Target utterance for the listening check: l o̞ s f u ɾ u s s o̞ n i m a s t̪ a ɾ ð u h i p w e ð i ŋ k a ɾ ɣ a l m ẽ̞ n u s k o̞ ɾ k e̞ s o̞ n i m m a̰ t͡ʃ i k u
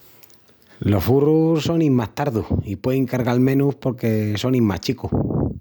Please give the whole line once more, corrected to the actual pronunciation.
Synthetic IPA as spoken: l o̞ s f u r u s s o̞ n i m a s t̪ a ɾ ð u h i p w e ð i ŋ k a ɾ ɣ a l m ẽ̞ n u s p o̞ ɾ k e̞ s o̞ n i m m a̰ t͡ʃ i k u